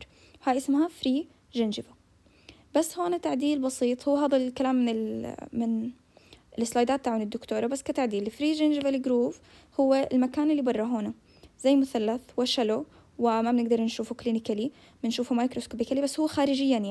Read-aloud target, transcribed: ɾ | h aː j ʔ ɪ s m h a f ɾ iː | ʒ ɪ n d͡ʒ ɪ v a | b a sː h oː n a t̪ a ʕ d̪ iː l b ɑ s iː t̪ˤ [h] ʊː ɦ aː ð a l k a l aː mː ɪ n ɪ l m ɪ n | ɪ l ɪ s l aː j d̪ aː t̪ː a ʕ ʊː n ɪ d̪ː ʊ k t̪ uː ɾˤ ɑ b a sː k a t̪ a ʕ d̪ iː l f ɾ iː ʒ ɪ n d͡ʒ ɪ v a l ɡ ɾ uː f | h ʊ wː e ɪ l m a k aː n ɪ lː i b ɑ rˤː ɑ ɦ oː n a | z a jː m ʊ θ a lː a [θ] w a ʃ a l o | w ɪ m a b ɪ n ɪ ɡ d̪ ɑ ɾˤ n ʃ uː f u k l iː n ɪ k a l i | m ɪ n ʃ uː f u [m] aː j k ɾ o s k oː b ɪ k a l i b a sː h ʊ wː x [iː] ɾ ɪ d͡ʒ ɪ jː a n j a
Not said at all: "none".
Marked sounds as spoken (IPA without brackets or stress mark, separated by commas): h, θ, m, aː